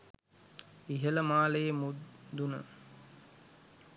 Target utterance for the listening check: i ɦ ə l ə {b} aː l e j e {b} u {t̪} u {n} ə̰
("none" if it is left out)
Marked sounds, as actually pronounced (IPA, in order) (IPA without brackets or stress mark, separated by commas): m, m, d̪, n